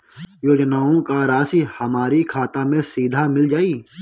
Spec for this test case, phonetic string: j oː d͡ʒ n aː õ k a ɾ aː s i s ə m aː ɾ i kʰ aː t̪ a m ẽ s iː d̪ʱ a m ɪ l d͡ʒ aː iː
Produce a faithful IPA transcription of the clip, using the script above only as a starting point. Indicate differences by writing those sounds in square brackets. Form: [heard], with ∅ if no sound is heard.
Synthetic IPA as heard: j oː d͡ʒ n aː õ k a ɾ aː s i [h] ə m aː ɾ i kʰ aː t̪ a m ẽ s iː d̪ʱ a m ɪ l d͡ʒ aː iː